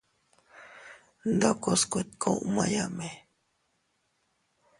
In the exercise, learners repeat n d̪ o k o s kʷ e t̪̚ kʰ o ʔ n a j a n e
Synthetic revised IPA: n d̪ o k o s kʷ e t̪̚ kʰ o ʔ m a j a m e